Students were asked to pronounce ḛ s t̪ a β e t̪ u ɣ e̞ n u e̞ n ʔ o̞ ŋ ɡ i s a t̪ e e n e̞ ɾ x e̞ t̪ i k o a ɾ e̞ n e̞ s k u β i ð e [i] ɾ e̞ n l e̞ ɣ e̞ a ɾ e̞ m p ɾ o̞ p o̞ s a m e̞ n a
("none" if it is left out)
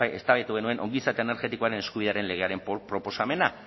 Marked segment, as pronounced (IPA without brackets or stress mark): a